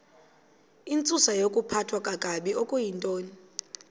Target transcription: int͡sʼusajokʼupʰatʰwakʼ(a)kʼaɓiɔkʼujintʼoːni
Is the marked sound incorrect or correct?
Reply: correct